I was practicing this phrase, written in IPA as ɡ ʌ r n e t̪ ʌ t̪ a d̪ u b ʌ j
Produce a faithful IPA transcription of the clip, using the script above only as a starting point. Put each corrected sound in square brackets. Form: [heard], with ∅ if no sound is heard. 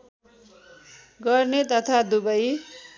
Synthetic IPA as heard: ɡ ʌ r n e t̪ ʌ [t̪ʰ] a d̪ u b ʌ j